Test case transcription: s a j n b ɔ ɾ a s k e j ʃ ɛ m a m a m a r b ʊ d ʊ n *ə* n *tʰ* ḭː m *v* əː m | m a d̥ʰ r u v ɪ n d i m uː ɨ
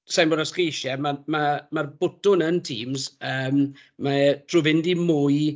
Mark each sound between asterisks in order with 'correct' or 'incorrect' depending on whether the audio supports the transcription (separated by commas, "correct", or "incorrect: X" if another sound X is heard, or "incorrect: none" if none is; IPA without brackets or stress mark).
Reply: correct, correct, incorrect: z